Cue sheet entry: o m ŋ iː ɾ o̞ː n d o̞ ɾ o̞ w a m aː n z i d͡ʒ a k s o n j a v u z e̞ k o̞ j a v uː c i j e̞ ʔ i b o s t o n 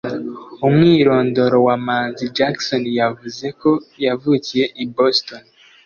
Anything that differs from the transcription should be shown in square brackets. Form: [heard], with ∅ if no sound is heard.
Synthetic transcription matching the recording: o m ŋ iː ɾ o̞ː n d o̞ ɾ o̞ w a m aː n z i d͡ʒ a k s o n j a v u z e̞ k o̞ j a v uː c i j e̞ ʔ i b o s t o n